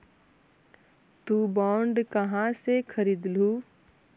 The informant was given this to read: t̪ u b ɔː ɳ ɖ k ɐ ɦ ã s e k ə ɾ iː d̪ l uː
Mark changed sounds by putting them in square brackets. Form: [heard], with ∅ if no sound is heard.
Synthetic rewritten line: t̪ u b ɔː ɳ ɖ k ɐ ɦ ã s e [kʰ] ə ɾ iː d̪ l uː